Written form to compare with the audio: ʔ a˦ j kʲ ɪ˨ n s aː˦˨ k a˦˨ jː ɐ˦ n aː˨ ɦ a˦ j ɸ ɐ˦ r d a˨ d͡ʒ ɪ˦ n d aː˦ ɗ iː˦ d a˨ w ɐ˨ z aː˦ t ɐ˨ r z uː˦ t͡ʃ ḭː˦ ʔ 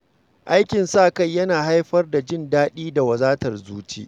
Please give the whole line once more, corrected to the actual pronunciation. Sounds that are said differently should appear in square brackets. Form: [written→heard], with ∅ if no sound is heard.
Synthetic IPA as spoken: ʔ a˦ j kʲ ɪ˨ n s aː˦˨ k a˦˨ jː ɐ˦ n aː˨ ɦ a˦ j ɸ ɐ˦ r d a˨ d͡ʒ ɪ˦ n d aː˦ ɗ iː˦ d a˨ w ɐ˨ z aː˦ t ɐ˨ r z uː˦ t͡ʃ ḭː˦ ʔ